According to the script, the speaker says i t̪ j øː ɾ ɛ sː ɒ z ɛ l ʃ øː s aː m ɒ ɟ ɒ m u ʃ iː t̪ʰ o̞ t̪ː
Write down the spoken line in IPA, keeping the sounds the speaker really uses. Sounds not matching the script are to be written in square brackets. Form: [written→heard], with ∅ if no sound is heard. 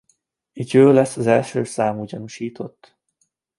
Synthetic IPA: i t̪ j øː [ɾ→l] ɛ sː ɒ z ɛ l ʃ øː s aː m [ɒ→u] ɟ ɒ [m→n] u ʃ iː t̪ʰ o̞ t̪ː